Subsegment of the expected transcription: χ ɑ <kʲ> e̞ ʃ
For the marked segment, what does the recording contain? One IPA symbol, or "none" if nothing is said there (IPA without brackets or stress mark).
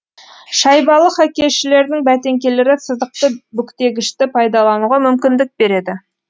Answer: kʲ